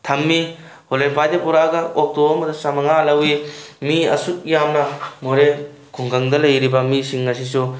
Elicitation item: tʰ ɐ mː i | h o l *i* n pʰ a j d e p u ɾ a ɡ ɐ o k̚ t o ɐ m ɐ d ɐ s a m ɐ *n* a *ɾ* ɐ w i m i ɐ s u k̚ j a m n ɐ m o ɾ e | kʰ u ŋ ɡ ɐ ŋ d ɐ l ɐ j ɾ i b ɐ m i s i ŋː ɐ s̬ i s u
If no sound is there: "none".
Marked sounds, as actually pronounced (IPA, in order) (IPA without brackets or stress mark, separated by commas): e, ŋ, l